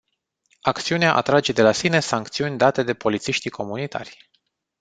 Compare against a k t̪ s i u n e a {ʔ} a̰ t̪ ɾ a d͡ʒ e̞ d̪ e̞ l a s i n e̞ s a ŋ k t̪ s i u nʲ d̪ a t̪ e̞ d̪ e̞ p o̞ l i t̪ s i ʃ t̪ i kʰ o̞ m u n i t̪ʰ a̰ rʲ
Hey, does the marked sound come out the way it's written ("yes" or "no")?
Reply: yes